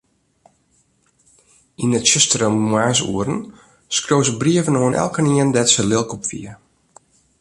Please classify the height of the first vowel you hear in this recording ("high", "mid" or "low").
high